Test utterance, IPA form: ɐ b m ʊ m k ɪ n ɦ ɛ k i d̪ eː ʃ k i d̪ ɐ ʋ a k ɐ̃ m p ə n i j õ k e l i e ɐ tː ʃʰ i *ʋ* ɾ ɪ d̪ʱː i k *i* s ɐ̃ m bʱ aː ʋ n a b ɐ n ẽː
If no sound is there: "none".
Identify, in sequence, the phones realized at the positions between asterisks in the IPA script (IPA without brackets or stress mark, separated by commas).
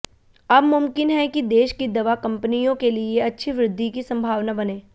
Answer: ʋ, i